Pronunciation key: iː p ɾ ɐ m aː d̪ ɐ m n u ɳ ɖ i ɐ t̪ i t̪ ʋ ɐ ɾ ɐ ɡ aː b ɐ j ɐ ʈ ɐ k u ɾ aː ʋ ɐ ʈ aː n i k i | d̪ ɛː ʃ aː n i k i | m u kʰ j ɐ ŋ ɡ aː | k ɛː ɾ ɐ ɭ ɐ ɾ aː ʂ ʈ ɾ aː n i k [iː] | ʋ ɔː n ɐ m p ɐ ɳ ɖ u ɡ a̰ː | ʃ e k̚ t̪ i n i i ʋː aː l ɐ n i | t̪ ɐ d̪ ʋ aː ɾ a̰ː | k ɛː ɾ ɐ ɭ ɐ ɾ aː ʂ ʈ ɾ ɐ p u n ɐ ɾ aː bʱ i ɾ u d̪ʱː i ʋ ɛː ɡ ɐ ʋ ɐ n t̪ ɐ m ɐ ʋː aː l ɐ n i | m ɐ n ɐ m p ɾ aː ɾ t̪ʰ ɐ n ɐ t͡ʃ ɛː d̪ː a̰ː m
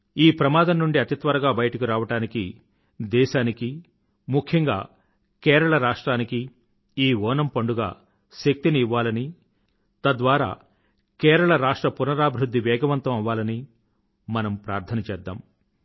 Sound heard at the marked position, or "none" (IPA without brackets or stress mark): iː